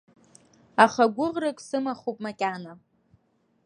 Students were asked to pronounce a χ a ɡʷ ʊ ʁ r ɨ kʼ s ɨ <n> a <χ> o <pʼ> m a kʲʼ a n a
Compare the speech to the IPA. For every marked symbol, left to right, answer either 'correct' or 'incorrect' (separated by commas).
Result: incorrect, correct, correct